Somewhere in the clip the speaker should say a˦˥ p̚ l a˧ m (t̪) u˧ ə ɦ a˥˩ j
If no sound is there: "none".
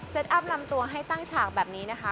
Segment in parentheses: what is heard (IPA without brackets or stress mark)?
t̪